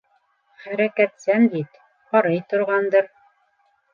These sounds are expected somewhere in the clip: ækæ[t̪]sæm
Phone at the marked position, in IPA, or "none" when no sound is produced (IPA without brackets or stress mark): t̪